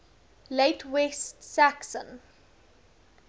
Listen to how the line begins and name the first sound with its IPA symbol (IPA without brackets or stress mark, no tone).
l